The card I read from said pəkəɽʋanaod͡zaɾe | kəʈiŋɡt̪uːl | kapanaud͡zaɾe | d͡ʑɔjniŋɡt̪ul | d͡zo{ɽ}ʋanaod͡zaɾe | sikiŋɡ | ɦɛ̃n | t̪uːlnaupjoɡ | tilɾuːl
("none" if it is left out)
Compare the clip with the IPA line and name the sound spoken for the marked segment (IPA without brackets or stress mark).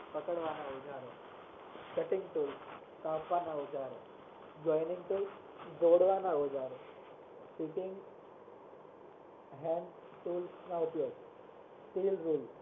ɽ